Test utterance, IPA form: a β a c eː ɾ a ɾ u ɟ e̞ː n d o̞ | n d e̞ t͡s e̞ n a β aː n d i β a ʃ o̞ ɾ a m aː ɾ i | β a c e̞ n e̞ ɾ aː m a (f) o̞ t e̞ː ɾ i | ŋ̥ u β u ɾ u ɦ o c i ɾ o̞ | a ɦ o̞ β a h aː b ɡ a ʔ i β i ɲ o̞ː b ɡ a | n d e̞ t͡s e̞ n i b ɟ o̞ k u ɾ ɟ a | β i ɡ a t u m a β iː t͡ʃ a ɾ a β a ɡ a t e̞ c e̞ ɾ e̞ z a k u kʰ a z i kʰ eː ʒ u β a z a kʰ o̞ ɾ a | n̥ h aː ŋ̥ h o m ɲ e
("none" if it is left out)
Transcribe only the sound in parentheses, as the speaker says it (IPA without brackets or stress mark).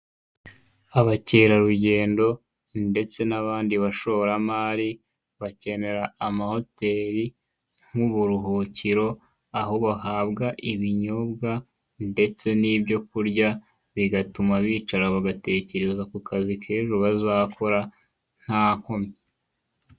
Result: h